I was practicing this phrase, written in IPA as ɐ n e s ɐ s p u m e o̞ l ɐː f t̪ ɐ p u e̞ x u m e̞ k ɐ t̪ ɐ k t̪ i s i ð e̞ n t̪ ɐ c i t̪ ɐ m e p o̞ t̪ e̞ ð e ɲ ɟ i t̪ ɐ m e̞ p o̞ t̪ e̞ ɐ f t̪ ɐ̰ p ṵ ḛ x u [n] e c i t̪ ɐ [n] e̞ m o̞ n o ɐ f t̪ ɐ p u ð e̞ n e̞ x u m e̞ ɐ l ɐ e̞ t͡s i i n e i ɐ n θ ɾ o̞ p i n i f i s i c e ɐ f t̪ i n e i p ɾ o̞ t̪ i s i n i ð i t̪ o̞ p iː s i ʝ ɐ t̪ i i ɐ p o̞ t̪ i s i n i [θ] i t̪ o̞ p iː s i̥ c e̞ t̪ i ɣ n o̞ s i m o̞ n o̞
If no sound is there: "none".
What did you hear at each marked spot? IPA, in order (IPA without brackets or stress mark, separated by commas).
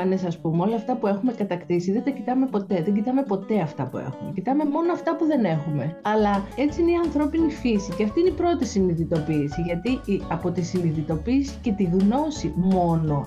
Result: m, m, ð